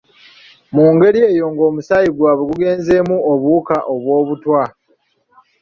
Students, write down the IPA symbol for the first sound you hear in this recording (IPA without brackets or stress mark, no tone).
m